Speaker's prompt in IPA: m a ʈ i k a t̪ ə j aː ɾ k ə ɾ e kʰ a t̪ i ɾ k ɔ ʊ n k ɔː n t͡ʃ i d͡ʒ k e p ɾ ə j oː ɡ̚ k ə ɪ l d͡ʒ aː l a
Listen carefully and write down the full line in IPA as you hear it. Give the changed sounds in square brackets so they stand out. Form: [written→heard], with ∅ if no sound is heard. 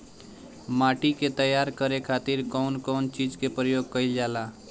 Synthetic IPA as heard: m a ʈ i k [a→e] t̪ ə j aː ɾ k ə ɾ e kʰ a t̪ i ɾ k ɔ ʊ n k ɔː n t͡ʃ i d͡ʒ k e p ɾ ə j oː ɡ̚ k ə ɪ l d͡ʒ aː l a